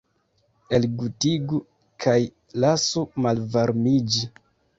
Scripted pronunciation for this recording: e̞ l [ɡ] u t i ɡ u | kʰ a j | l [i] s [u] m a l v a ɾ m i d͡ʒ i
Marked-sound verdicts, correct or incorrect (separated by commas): correct, incorrect, correct